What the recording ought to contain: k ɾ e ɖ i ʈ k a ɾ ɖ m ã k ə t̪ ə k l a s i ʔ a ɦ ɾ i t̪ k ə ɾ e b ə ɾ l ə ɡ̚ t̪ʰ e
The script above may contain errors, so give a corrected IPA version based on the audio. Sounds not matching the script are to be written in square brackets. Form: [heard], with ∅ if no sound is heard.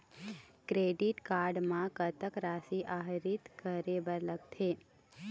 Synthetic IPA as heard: k ɾ e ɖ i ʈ k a ɾ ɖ m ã k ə t̪ ə k [ɾ] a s i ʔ a ɦ ɾ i t̪ k ə ɾ e b ə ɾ l ə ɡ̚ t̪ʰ e